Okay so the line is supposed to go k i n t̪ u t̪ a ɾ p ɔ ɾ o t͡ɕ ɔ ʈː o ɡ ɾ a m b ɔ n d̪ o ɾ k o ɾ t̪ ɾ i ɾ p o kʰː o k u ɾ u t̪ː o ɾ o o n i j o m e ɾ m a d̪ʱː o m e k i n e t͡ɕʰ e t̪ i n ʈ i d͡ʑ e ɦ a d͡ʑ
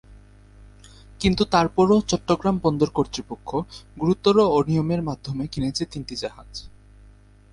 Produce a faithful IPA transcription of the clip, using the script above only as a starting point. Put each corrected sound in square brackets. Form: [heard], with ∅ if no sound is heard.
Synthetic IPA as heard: k i n t̪ u t̪ a ɾ p ɔ ɾ o t͡ɕ ɔ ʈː o ɡ ɾ a m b ɔ n d̪ o ɾ k o ɾ t̪ ɾ i [∅] p o kʰː o [ɡ] u ɾ u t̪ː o ɾ o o n i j o m e ɾ m a d̪ʱː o m e k i n e t͡ɕʰ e t̪ i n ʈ i d͡ʑ [a] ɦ a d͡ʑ